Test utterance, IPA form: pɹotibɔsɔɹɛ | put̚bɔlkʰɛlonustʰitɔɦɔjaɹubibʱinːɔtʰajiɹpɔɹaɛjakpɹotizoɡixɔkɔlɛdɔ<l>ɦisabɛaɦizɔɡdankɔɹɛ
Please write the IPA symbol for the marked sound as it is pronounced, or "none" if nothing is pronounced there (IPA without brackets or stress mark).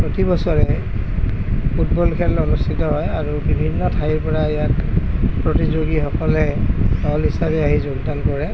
l